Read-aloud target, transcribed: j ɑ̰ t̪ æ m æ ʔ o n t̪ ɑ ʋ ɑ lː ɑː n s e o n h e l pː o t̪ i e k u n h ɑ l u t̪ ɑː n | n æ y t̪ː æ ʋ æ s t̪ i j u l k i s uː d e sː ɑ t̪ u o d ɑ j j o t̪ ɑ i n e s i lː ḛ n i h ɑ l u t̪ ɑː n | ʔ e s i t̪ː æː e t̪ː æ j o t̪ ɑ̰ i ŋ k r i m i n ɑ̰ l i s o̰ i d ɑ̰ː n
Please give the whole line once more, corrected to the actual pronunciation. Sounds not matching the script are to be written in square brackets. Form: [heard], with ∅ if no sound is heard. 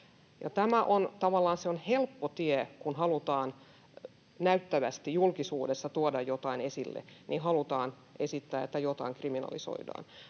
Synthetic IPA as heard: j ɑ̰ t̪ æ m æ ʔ o n t̪ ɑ ʋ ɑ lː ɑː n s e o n h e l pː o t̪ i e k u n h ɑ l u t̪ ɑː n | n æ y t̪ː æ ʋ æ s t̪ i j u l k i s uː d e sː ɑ t̪ u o d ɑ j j o t̪ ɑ i n e s i lː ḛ n i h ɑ l u t̪ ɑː n | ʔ e s i t̪ː æː e t̪ː æ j o t̪ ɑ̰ i ŋ k r i m i n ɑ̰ l i s o̰ i d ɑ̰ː n